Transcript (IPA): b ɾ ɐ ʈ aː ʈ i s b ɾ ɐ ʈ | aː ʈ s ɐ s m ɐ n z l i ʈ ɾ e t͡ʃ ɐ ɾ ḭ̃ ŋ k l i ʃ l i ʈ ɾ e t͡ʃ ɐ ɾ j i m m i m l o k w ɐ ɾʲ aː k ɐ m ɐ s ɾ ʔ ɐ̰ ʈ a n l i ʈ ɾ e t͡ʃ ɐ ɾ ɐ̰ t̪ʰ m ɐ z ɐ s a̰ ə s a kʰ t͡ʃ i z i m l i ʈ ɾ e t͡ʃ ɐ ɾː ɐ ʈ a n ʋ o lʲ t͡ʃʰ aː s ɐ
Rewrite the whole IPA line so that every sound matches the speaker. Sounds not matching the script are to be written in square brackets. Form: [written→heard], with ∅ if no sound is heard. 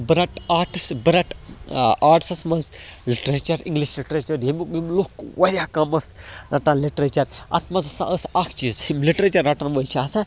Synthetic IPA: b ɾ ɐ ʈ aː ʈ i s b ɾ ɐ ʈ | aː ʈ s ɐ s m ɐ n z l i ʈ ɾ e t͡ʃ ɐ ɾ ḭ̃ ŋ [k→ɡ] l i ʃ l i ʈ ɾ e t͡ʃ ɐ ɾ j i m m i m l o k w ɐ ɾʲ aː k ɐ m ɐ s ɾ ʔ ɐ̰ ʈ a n l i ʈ ɾ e t͡ʃ ɐ ɾ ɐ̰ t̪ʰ m ɐ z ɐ s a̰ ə s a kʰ t͡ʃ i z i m l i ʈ ɾ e t͡ʃ ɐ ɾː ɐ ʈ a n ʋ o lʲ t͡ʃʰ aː s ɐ

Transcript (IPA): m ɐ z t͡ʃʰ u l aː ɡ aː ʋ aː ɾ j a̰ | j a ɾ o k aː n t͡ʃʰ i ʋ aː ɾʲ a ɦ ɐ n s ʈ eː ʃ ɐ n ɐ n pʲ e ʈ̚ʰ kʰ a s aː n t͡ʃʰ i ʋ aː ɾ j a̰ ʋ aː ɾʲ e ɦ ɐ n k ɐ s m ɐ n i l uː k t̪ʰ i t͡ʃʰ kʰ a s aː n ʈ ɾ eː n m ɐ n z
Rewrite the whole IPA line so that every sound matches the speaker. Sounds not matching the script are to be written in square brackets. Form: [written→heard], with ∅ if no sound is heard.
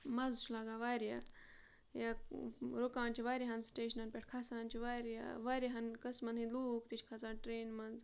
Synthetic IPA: m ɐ z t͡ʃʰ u l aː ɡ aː ʋ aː ɾ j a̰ | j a ɾ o k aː n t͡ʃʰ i ʋ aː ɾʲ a ɦ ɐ n s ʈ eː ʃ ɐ n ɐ n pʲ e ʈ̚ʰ kʰ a s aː n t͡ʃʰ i ʋ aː ɾ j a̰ ʋ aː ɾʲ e ɦ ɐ n k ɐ s m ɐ n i l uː k [t̪ʰ→t̪] i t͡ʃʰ kʰ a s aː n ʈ ɾ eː n m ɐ n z

